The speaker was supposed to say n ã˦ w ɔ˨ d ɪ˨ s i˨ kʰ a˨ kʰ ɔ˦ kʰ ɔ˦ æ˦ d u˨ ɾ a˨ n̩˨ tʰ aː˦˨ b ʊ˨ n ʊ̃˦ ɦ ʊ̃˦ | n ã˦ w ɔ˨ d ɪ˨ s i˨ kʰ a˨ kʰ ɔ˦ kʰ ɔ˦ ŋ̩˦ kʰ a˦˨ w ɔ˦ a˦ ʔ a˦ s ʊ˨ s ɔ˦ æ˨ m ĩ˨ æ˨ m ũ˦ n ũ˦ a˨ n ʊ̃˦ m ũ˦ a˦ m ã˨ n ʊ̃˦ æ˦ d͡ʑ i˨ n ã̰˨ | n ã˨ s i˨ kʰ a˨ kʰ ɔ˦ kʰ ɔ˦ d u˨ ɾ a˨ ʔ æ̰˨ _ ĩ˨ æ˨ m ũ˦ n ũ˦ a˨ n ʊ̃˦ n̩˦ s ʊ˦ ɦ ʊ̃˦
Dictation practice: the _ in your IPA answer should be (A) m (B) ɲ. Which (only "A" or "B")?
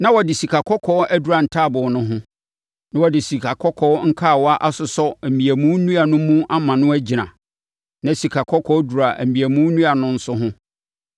A